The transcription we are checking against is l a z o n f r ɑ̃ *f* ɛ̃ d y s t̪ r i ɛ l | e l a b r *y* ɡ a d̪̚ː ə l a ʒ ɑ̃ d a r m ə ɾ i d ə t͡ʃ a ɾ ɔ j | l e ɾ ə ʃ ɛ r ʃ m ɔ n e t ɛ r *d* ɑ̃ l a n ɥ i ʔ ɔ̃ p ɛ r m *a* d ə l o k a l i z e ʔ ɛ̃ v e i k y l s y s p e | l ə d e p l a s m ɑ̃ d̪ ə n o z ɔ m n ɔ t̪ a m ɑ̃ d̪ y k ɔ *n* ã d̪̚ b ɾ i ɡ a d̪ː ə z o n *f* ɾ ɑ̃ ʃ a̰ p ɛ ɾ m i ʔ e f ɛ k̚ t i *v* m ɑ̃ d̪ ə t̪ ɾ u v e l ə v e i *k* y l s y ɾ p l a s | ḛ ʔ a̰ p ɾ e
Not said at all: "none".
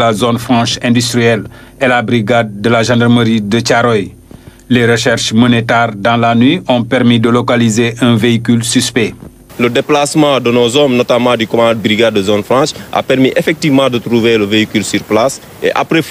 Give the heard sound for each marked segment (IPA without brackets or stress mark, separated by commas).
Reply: ʃ, i, d, i, m, f, v, k